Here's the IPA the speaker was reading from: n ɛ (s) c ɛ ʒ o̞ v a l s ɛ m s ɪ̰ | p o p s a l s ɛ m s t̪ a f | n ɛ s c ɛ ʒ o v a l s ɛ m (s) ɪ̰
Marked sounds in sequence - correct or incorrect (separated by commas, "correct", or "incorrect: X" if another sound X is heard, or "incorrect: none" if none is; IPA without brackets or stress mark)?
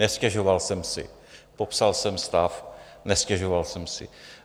correct, correct